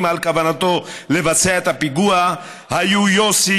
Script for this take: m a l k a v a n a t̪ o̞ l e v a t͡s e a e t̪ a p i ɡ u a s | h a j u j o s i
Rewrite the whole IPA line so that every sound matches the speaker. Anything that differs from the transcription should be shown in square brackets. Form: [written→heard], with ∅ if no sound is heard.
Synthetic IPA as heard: m a l k a v a n a t̪ o̞ l e v a t͡s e a e t̪ a p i ɡ u a [s→∅] | h a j u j o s i